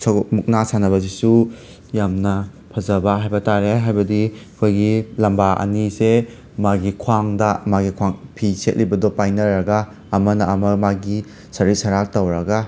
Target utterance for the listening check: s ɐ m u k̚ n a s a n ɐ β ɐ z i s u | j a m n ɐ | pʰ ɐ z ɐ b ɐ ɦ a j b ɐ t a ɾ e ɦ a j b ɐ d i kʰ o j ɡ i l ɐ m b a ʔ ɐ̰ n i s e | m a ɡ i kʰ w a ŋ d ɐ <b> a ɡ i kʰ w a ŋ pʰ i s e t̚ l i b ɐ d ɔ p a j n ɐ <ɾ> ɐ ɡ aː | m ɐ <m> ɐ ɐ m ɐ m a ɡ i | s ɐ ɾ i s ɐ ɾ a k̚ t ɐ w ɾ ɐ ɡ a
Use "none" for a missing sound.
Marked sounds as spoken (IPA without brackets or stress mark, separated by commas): m, ɾ, n